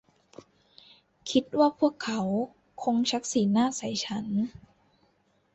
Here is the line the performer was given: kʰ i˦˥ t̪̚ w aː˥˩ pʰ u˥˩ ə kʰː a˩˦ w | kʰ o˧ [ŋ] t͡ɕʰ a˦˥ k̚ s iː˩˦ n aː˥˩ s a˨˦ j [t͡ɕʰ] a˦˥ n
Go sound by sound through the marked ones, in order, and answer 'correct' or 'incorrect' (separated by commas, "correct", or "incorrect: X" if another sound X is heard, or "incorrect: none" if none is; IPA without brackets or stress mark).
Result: correct, correct